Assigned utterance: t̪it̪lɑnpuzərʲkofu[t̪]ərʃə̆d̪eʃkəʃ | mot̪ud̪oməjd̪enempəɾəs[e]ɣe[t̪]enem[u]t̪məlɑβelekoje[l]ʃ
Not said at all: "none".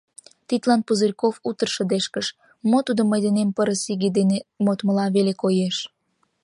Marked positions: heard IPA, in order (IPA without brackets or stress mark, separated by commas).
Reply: t̪, i, d̪, o, none